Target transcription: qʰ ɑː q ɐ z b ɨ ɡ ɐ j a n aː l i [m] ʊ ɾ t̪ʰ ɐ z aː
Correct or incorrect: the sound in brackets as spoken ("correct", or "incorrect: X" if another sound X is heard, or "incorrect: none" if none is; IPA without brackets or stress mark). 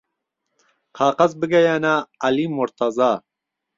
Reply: correct